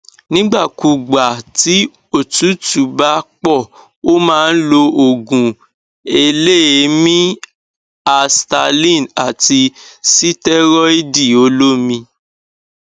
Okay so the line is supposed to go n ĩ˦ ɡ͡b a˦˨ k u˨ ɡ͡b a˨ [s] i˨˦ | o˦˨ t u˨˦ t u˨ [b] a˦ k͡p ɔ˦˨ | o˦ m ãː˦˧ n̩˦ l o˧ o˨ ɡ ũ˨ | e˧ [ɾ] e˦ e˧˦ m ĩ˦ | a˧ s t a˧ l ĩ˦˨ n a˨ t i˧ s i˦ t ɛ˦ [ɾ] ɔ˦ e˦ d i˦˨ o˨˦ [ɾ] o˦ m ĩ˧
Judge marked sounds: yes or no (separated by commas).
no, yes, no, yes, no